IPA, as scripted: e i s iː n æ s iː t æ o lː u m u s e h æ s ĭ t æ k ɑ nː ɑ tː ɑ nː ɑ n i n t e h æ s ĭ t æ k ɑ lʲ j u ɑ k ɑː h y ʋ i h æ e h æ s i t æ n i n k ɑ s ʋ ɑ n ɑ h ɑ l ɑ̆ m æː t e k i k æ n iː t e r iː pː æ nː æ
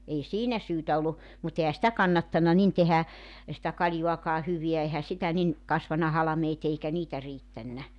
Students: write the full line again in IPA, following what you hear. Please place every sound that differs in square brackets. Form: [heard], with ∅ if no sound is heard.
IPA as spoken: e i s iː n æ s [yː] t æ o lː u m u [t] e h æ s ĭ t æ k ɑ nː ɑ tː ɑ nː ɑ n i n t e h æ s ĭ t æ k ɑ lʲ j u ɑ k ɑː h y ʋ i [∅] æ e h æ s i t æ n i n k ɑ s ʋ ɑ n ɑ h ɑ l ɑ̆ m [eː] t e [∅] i k æ n iː t [æ] r iː [tː] æ nː æ